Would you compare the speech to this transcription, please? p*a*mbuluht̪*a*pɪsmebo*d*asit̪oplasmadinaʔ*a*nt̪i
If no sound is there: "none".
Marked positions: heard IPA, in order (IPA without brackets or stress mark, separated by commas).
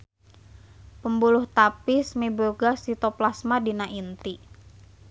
ə, a, ɡ, i